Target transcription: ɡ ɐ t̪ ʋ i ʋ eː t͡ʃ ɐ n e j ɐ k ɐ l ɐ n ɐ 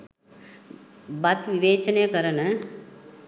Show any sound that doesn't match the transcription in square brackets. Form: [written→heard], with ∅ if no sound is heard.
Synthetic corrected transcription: [ɡ→b] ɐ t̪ ʋ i ʋ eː t͡ʃ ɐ n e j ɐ k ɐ [l→ɾ] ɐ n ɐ